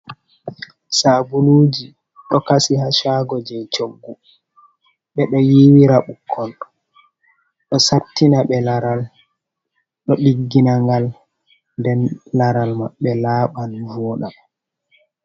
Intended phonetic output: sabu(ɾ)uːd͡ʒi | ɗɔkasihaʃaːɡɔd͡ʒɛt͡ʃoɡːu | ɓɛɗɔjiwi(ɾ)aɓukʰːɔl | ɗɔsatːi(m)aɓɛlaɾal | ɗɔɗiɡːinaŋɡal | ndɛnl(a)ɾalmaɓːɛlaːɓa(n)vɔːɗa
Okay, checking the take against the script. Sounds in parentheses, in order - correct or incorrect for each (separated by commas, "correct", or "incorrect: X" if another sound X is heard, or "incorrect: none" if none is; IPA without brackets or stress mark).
incorrect: l, correct, incorrect: n, correct, correct